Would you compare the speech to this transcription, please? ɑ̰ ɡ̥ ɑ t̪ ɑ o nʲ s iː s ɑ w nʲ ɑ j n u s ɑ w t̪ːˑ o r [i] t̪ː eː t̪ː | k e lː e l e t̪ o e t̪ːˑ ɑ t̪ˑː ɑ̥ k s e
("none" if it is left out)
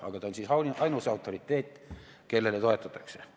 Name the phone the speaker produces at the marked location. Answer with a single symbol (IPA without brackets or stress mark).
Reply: i